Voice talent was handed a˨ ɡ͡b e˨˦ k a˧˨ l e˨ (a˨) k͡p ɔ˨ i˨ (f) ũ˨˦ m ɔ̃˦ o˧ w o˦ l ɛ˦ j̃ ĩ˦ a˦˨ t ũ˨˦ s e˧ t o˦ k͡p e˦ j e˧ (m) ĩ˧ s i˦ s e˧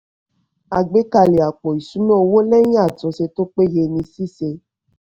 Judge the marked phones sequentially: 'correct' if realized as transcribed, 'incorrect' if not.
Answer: correct, incorrect, incorrect

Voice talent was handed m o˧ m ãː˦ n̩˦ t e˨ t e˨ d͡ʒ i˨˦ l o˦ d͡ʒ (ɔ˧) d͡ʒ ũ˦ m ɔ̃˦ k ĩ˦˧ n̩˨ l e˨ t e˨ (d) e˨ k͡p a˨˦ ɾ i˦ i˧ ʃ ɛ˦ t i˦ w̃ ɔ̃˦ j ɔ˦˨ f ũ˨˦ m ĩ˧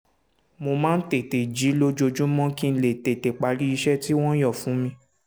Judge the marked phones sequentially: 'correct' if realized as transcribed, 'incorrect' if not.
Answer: incorrect, incorrect

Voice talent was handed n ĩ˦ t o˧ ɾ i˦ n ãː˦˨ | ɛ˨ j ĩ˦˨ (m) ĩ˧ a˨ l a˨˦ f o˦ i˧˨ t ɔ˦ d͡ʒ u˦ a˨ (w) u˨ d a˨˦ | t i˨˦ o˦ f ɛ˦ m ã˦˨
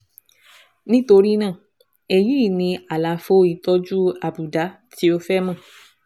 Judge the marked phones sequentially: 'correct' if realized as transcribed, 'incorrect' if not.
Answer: incorrect, incorrect

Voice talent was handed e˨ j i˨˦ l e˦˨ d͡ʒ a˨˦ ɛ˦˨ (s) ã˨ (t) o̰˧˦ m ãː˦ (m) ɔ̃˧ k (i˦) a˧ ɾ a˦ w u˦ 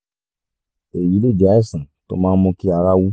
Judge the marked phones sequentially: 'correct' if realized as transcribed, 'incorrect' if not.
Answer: correct, correct, correct, correct

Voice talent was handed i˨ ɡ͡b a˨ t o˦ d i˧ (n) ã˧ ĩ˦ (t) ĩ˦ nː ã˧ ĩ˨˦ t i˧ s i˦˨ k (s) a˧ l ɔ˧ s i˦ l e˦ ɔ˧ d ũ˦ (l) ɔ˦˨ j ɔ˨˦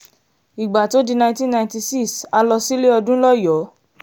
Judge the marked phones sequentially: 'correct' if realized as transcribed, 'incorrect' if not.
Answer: correct, correct, correct, correct

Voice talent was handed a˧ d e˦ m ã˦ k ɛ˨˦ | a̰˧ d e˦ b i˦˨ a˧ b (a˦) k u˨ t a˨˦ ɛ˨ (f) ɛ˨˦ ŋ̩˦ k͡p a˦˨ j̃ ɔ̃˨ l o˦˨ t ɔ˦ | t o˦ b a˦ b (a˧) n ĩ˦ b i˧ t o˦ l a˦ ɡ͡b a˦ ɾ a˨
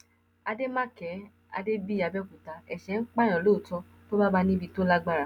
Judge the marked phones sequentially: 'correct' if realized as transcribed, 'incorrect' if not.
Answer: incorrect, incorrect, correct

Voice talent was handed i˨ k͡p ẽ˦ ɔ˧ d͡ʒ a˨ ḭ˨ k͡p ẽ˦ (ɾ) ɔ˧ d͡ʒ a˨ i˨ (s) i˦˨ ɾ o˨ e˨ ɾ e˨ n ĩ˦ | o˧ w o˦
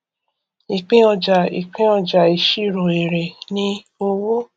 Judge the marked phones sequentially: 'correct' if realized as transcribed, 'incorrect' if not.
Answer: incorrect, incorrect

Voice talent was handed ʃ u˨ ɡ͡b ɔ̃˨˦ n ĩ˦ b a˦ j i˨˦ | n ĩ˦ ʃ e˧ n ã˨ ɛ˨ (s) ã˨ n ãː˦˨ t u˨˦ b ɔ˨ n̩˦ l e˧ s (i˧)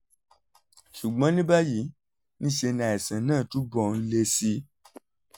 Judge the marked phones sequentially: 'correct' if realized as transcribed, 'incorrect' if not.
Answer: correct, correct

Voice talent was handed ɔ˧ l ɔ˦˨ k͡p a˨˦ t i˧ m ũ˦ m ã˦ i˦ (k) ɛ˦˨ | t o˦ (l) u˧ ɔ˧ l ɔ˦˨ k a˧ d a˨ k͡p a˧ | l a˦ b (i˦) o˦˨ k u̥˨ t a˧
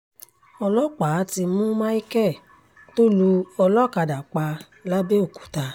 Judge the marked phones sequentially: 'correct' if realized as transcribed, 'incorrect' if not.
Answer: correct, correct, incorrect

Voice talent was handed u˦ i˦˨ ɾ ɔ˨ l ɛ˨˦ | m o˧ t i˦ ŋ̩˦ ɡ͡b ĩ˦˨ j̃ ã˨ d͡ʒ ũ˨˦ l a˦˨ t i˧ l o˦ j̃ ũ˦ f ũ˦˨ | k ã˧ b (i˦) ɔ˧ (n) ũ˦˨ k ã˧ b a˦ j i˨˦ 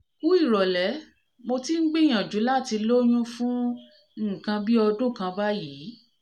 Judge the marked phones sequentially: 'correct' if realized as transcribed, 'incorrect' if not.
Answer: correct, incorrect

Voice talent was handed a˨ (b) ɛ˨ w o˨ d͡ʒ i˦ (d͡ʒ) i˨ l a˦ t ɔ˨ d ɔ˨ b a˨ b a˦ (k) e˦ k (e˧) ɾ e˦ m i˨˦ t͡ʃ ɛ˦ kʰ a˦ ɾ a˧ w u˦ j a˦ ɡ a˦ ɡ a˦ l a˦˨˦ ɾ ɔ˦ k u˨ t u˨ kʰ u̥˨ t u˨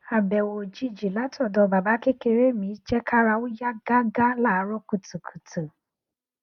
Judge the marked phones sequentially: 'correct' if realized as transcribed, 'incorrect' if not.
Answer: correct, correct, correct, correct

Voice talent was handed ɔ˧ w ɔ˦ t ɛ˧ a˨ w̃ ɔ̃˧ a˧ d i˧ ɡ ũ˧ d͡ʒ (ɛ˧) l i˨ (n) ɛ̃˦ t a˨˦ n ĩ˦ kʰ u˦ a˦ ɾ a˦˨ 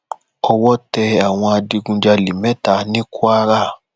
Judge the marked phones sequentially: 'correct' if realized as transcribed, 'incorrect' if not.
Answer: incorrect, incorrect

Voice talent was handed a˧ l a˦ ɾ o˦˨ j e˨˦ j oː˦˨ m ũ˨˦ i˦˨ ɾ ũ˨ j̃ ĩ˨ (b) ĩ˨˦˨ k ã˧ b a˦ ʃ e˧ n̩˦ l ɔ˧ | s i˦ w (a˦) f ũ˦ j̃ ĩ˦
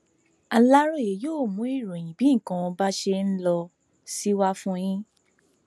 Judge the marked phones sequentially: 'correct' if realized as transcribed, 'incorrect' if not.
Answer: correct, correct

